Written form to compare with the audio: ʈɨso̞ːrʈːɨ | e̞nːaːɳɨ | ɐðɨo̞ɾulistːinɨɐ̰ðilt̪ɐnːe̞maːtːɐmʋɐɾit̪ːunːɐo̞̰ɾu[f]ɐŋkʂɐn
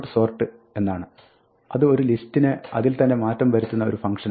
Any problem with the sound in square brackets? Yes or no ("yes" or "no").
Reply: no